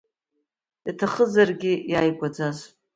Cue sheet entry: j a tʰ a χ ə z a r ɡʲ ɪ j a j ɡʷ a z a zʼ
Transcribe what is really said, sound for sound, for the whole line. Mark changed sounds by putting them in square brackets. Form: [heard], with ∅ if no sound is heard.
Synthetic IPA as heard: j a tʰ a χ ə z a r ɡʲ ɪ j a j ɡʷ a [d͡z] a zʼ

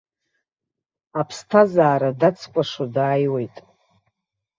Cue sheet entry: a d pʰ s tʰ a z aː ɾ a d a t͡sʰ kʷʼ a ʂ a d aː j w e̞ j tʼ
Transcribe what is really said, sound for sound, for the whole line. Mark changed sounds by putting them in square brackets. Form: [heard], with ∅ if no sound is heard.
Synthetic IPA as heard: a [∅] pʰ s tʰ a z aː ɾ a d a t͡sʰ kʷʼ a ʂ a d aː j w e̞ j tʼ

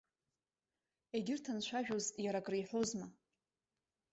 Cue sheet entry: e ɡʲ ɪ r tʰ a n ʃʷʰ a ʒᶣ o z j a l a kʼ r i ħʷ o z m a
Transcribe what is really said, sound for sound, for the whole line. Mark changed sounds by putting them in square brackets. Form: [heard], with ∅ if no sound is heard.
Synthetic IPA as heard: e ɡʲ ɪ r tʰ a n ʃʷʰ a ʒᶣ o z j a [ɾ] a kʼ r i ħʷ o z m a

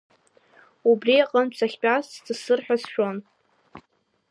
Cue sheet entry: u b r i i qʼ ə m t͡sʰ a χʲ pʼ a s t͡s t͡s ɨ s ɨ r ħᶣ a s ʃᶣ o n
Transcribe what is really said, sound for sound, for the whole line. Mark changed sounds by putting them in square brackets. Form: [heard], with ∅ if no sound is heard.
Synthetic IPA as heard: u b r i [a] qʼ ə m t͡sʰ a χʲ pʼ a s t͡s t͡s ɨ s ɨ r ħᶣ a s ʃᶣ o n

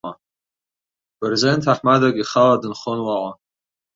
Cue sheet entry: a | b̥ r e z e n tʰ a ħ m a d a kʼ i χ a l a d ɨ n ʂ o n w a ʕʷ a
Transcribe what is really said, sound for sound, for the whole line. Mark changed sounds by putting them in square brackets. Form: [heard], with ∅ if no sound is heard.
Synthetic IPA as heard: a | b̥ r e z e n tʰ a ħ m a d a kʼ i χ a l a d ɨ n [χ] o n w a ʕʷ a

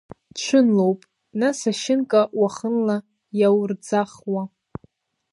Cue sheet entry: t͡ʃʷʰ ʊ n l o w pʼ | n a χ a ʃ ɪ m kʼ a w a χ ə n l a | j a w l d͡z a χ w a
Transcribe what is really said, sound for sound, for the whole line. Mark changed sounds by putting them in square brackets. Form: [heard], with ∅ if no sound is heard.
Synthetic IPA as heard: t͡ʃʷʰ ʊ n l o w pʼ | n a [s] a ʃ ɪ [n] kʼ a w a χ ə n l a | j a w [r] d͡z a χ w a

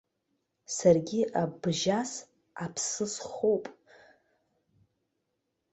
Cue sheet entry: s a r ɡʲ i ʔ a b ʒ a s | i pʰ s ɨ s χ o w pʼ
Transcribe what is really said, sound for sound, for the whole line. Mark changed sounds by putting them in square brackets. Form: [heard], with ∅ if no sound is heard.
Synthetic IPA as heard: s a r ɡʲ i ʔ a b ʒ a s | [a] pʰ s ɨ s χ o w pʼ

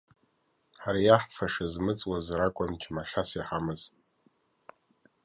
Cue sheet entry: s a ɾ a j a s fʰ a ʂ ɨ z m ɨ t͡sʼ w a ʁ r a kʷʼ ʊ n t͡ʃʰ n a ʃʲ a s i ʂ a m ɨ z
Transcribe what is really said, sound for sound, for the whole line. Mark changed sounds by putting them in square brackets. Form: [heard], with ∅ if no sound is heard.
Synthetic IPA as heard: [ħ] a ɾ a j a [ħ] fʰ a ʂ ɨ z m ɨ t͡sʼ w a [z] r a kʷʼ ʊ n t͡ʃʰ [m] a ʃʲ a s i [ħ] a m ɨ z

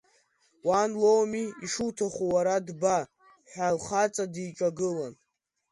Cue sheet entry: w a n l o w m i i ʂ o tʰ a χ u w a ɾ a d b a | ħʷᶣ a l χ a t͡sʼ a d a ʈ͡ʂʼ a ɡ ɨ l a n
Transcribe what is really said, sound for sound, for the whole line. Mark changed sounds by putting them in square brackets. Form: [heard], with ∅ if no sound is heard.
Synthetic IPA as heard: w a n l o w m i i ʂ [u] tʰ a χ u w a ɾ a d b a | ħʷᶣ a l χ a t͡sʼ a d [i] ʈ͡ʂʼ a ɡ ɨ l a n

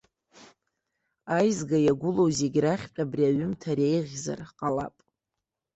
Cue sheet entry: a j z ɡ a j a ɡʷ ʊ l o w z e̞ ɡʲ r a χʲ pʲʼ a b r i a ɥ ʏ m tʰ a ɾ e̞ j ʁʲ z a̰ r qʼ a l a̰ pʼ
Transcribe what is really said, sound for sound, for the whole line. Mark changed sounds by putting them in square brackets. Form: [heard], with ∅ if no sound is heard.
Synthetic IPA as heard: a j z ɡ a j a ɡʷ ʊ l o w z e̞ ɡʲ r a χʲ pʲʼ a b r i a ɥ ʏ m tʰ a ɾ e̞ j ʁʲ z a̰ r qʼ a l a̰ pʼ

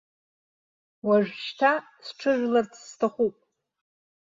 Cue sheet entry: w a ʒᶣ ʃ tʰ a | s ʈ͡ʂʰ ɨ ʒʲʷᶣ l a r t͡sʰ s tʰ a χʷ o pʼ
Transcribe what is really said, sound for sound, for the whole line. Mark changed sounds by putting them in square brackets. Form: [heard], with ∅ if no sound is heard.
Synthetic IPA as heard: w a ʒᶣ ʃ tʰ a | s ʈ͡ʂʰ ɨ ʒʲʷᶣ l a r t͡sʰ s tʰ a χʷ [u] pʼ

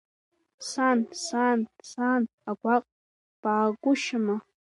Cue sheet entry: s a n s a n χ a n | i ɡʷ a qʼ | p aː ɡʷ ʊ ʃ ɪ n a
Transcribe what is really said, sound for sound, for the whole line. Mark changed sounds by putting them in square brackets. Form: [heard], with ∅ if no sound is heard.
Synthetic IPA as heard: s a n s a n [s] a n | [a] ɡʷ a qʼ | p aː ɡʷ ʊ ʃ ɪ [m] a

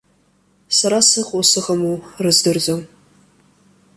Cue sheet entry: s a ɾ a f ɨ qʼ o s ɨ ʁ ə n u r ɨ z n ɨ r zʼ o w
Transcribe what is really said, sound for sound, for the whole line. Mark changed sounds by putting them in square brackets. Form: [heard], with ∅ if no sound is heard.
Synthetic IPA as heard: s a ɾ a [s] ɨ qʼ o s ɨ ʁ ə [m] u r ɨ z [d] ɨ r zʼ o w

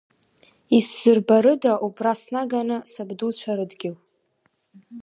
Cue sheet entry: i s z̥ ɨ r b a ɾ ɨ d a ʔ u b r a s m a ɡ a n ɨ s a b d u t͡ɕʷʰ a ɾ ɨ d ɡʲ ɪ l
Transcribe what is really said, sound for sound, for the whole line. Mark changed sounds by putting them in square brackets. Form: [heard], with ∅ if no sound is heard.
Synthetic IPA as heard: i s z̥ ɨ r b a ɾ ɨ d a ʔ u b r a s [n] a ɡ a n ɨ s a b d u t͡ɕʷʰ a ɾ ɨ d ɡʲ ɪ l

